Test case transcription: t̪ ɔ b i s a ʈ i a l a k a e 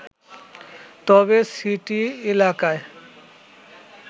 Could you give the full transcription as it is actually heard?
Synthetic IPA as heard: t̪ ɔ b e s i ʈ i e l a k a e